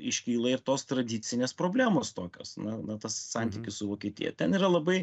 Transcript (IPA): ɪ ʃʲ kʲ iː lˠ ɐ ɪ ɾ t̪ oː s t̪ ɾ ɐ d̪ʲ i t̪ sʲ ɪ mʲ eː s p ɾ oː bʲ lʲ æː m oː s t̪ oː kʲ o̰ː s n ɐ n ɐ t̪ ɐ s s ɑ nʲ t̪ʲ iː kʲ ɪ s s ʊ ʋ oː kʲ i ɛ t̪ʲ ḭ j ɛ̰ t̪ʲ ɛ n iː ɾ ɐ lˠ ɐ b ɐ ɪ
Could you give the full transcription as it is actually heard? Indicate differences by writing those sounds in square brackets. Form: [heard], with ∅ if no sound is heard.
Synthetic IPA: ɪ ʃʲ kʲ iː lˠ ɐ ɪ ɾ t̪ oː s t̪ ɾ ɐ d̪ʲ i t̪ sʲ ɪ [nʲ] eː s p ɾ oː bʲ lʲ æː m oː s t̪ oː kʲ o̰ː s n ɐ n ɐ t̪ ɐ s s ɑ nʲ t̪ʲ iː kʲ ɪ s s ʊ ʋ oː kʲ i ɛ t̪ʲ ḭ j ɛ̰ t̪ʲ ɛ n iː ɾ ɐ lˠ ɐ b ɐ ɪ